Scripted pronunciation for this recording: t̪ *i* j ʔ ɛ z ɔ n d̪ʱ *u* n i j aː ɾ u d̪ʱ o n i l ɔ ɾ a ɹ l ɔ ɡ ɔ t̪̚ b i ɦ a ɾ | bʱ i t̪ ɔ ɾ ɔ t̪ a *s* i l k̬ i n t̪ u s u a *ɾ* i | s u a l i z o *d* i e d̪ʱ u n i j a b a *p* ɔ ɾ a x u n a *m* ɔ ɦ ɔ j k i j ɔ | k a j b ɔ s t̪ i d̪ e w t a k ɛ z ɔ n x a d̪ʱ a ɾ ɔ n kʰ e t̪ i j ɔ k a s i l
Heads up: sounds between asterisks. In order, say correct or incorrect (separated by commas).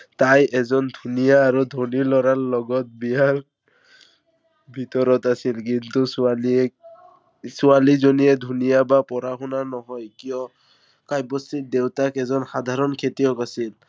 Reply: incorrect, correct, correct, incorrect, incorrect, correct, incorrect